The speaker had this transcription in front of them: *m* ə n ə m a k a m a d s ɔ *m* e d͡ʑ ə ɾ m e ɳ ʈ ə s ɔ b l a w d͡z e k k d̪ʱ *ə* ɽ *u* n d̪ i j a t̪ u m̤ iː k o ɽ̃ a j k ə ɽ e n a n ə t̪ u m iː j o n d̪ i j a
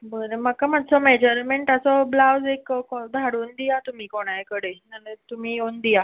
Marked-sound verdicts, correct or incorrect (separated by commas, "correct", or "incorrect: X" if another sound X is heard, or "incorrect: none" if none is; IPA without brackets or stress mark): incorrect: b, correct, incorrect: a, incorrect: uː